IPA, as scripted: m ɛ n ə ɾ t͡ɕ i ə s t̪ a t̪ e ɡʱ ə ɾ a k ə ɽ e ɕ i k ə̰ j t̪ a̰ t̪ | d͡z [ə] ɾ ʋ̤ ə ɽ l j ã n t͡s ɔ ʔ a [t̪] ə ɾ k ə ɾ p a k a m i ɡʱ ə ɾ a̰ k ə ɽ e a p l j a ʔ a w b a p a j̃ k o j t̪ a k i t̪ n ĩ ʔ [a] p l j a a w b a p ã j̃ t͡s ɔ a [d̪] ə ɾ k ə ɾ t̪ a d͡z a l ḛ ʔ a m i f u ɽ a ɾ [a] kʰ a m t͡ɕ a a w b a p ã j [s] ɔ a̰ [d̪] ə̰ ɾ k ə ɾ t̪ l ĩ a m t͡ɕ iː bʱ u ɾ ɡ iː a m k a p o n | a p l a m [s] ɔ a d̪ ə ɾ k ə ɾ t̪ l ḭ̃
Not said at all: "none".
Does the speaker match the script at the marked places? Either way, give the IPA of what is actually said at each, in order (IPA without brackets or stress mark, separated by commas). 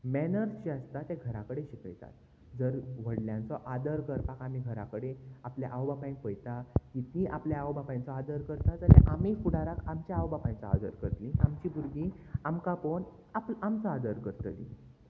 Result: ə, d̪, a, d̪, a, t͡s, d̪, t͡s